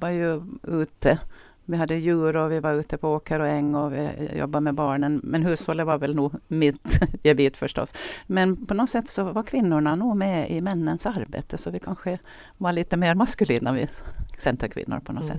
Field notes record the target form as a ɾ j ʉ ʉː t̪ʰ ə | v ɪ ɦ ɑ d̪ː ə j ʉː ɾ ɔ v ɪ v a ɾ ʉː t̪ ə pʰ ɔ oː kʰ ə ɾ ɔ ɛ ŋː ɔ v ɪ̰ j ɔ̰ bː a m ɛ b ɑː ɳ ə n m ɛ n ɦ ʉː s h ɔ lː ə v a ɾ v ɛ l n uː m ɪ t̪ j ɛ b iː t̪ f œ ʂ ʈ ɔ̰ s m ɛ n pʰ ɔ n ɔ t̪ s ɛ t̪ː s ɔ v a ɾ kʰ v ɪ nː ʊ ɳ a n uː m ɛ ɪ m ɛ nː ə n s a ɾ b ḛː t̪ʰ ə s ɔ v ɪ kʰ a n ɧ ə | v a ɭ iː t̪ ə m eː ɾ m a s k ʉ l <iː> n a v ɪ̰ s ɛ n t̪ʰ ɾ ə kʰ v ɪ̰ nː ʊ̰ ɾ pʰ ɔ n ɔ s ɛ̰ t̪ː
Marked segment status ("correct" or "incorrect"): correct